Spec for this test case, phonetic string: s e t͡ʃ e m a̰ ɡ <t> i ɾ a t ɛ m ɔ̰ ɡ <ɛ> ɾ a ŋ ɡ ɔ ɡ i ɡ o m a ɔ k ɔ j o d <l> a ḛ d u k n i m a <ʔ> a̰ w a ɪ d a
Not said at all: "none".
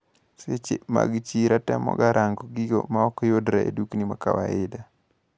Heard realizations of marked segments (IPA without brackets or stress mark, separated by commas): t͡ʃ, a, ɾ, k